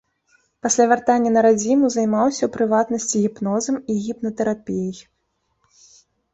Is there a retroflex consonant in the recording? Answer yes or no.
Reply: no